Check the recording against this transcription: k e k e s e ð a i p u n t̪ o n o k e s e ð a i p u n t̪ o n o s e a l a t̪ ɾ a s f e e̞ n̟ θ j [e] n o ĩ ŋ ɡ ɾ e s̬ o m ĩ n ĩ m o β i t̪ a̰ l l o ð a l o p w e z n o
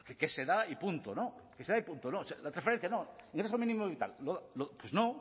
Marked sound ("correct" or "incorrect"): incorrect